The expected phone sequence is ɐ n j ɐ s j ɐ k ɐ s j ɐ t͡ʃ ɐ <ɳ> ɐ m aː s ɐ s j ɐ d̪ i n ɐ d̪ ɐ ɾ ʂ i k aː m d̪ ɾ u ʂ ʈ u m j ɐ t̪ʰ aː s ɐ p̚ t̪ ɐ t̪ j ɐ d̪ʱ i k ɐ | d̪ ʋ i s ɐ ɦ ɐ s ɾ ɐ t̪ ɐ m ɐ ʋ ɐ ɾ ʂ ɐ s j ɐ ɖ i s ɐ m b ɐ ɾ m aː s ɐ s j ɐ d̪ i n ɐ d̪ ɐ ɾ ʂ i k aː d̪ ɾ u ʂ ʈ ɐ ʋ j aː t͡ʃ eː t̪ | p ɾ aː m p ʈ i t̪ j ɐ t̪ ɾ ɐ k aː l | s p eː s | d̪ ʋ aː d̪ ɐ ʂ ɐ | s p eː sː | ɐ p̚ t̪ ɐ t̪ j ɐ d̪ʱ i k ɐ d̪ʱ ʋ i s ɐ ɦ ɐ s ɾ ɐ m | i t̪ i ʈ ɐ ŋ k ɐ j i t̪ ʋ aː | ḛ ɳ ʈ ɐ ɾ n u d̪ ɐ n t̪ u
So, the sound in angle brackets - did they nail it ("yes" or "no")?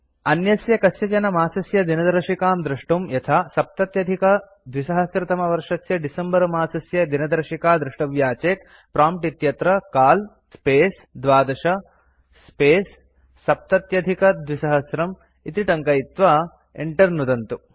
no